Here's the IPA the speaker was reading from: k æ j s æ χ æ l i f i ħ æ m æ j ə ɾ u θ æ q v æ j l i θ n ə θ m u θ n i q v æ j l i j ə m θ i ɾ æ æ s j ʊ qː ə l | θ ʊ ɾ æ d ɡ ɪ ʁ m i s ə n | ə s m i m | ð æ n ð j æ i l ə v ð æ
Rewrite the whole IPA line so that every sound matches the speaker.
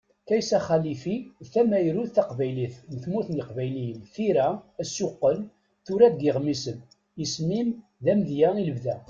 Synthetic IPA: k æ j s æ χ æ l i f i θ æ m æ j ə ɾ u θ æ q v æ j l i θ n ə θ m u θ n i q v æ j l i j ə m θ i ɾ æ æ s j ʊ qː ə l | θ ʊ ɾ æ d ɡ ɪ ʁ m i s ə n | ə s m i m | ð æ m ð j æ i l ə v ð æ

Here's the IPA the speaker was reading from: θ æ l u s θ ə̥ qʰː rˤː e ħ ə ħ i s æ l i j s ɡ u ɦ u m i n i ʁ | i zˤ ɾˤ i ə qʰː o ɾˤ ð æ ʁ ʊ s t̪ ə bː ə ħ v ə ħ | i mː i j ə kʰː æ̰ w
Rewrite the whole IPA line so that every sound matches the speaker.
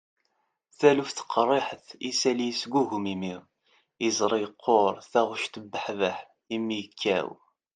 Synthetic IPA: θ æ l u f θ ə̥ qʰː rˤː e ħ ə θ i s æ l i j s ɡ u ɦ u m i m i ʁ | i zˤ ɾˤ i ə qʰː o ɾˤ θ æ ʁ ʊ ʃ t̪ ə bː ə ħ v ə ħ | i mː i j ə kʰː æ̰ w

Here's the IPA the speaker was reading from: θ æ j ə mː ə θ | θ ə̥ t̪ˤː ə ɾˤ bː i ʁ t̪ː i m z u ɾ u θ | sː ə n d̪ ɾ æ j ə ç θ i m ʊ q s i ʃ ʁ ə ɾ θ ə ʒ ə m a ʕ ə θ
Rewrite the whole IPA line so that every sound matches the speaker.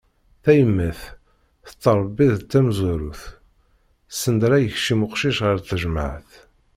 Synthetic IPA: θ æ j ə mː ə θ | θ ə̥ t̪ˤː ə ɾˤ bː i ð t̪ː æ m z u ɾ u θ | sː ə n d̪ ɾ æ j ə ç ʃ i m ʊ q ʃ i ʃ ʁ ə ɾ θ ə ʒ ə m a ʕ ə θ

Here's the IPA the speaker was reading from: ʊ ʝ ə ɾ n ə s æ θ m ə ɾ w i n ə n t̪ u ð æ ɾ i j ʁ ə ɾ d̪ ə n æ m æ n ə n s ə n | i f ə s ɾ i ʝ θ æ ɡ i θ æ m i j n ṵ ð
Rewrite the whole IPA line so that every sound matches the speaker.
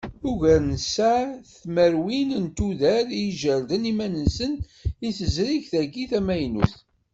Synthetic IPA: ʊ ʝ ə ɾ n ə s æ θ m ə ɾ w i n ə n t̪ u ð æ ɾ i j ʒ ə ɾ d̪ ə n i m æ n ə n s ə n | i θ ə z ɾ i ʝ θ æ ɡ i θ æ m æ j n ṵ θ

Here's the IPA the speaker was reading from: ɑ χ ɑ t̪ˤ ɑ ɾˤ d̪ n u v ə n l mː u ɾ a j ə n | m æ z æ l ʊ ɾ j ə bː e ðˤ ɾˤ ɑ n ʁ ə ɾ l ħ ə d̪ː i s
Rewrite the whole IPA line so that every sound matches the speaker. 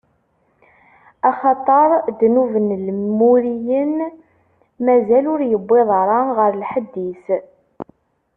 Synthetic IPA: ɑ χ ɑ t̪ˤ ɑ ɾˤ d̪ n u v ə n l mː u ɾ i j ə n | m æ z æ l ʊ ɾ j ə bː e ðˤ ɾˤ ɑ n ʁ ə ɾ l ħ ə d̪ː i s

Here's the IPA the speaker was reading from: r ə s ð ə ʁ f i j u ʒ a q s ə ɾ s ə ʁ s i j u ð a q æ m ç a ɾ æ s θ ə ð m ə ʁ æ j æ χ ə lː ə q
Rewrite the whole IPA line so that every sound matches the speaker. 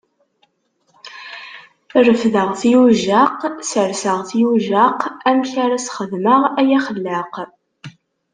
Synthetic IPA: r ə f ð ə ʁ θ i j u ʒ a q s ə ɾ s ə ʁ θ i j u ʒ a q æ m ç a ɾ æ s χ ə ð m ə ʁ æ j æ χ ə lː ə q

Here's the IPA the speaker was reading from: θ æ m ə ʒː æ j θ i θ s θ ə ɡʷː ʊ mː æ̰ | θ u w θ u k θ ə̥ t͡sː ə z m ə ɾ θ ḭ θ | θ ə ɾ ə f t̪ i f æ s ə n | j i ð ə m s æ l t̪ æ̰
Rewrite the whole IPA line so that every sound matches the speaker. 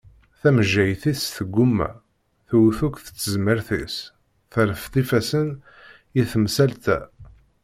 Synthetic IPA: θ æ m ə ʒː æ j θ i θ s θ ə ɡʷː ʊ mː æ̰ | θ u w θ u k θ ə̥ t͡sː ə z m ə ɾ θ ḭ s | θ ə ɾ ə f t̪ i f æ s ə n | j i θ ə m s æ l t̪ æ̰

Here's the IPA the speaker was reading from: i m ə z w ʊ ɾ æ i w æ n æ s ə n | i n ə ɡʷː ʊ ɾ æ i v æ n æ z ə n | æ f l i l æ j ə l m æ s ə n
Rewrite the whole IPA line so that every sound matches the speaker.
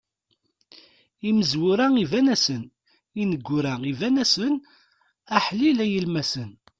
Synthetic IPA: i m ə z w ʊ ɾ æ i v æ n æ s ə n | i n ə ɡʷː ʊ ɾ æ i v æ n æ s ə n | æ ħ l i l æ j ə l m æ s ə n

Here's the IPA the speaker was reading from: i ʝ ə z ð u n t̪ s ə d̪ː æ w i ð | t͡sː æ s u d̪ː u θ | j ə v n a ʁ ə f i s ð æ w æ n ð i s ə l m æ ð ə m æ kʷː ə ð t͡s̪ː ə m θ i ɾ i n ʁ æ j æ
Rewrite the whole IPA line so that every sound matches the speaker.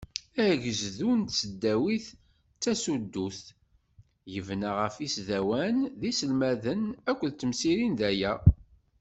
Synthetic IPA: æ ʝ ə z ð u n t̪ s ə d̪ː æ w i θ | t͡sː æ s u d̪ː u θ | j ə v n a ʁ ə f i s ð æ w æ n ð i s ə l m æ ð ə n æ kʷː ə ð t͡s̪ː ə m s i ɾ i n ð æ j æ

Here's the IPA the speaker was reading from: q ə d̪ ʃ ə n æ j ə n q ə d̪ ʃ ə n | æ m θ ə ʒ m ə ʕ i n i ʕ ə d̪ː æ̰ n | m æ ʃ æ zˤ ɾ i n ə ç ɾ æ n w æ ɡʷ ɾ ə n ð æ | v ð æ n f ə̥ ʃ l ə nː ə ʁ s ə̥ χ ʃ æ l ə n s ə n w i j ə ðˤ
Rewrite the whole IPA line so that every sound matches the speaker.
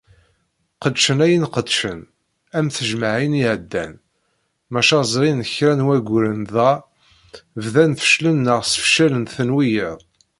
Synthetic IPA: q ə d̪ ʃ ə n æ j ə n q ə d̪ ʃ ə n | æ m θ ə ʒ m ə ʕ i n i ʕ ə d̪ː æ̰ n | m æ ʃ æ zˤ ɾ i n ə ç ɾ æ n w æ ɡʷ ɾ ə n ð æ | v ð æ n θ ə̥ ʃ l ə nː ə ʁ s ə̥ f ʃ æ l ə n θ ə n w i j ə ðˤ

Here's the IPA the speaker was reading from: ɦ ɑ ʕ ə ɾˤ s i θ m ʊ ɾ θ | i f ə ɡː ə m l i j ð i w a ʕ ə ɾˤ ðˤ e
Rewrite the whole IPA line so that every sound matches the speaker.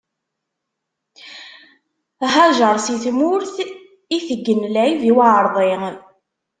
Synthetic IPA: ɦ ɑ ʒ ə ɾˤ s i θ m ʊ ɾ θ | i θ ə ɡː ə n l æ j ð i w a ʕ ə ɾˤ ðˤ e

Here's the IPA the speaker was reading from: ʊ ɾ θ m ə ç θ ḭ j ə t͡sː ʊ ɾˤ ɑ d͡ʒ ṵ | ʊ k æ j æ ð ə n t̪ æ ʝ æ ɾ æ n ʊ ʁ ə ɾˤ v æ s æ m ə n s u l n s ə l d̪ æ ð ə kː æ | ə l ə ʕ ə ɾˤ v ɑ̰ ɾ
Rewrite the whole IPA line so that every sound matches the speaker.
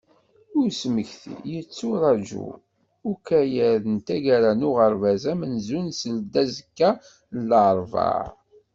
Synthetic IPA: ʊ ɾ s m ə ç θ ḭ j ə t͡sː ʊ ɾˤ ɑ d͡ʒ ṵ | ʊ k æ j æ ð ə n t̪ æ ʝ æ ɾ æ n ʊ ʁ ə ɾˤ v æ z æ m ə n z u n s ə l d̪ æ z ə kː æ | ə l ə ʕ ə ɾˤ v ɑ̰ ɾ

